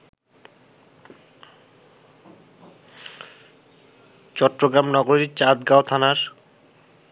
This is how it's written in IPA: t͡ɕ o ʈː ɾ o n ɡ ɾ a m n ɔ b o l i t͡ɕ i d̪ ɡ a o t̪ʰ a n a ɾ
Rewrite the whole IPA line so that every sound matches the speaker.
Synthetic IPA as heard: t͡ɕ ɔ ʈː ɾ o ɡ ɾ a m n ɔ ɡ o ɾ i t͡ɕ a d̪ ɡ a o t̪ʰ a n a ɾ